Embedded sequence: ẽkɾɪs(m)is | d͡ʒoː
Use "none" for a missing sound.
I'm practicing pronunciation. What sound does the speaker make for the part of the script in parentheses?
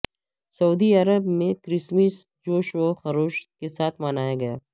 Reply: m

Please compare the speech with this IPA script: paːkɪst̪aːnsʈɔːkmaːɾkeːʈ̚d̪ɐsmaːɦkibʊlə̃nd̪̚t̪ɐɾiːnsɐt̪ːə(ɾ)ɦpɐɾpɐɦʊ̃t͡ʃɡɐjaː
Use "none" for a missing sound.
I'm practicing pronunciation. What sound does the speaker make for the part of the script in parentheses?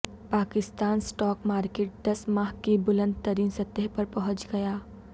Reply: none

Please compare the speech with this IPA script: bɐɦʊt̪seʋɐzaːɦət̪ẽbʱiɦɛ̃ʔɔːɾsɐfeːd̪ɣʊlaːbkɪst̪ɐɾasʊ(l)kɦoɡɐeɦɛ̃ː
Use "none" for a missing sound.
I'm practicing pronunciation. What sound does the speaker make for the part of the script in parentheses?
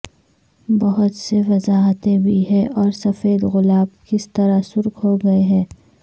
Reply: ɾ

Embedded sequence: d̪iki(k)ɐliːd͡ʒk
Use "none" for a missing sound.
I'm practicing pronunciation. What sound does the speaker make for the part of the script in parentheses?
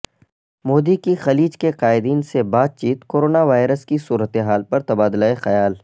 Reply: x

